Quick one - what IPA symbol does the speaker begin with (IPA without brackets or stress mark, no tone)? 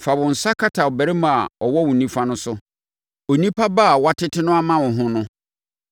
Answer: f